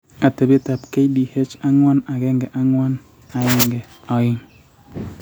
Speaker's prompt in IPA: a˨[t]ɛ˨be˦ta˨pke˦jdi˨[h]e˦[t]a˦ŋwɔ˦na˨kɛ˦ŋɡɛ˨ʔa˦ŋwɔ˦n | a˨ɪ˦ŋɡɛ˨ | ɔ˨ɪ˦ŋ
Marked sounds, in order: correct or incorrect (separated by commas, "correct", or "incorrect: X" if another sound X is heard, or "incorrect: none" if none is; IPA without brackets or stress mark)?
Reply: correct, correct, incorrect: t͡ʃ